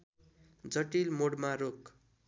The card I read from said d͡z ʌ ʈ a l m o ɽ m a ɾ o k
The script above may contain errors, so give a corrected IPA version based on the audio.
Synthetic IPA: d͡z ʌ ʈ i l m o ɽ m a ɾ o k